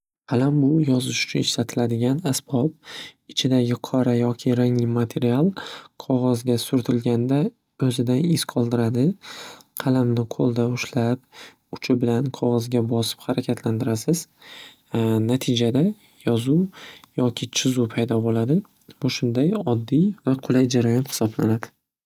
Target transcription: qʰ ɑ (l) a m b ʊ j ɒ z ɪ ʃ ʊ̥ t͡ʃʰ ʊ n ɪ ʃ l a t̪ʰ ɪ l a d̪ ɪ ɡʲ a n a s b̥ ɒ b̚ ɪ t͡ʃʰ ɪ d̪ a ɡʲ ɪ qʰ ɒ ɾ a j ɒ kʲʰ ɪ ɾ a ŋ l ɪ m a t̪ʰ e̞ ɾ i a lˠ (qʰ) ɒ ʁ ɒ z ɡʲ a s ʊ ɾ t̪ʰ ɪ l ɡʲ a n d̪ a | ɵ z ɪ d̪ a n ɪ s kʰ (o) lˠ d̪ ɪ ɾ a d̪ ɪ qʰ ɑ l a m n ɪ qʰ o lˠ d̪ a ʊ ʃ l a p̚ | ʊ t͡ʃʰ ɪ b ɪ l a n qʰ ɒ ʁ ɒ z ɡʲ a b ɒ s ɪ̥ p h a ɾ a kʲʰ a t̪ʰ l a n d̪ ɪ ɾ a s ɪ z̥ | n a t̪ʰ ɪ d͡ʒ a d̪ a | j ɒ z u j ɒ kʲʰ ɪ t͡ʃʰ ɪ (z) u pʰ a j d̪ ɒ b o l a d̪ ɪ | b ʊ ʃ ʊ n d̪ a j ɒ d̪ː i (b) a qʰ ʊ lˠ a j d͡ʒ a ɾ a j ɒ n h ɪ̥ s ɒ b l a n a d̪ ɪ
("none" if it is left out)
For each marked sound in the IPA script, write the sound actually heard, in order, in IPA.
l, qʰ, ɒ, z, v

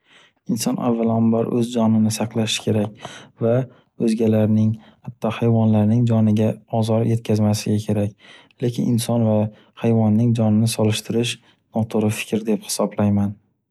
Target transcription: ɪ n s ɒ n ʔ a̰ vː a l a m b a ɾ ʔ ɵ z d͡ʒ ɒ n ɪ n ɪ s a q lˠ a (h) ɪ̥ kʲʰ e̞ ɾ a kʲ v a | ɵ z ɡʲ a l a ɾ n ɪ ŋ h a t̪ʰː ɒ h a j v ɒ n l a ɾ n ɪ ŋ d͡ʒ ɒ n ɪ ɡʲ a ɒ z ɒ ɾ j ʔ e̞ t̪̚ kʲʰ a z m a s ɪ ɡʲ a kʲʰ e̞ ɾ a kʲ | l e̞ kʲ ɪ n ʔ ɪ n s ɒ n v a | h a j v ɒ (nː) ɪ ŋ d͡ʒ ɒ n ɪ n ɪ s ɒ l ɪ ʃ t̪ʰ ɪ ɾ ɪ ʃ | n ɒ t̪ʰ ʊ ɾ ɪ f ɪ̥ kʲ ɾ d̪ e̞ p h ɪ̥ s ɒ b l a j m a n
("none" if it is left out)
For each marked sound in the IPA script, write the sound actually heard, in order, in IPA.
ʃ, nː

